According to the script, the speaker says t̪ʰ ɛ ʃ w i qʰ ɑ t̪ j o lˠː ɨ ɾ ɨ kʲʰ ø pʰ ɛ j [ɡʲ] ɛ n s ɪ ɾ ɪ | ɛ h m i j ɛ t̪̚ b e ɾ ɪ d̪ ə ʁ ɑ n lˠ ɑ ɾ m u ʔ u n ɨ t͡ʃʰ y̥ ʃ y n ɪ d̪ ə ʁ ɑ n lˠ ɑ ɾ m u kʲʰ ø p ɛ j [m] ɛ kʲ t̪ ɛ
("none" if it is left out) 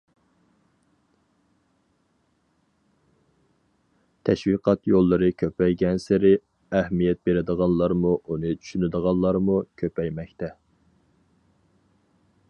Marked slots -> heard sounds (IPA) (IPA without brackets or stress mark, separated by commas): ɡʲ, m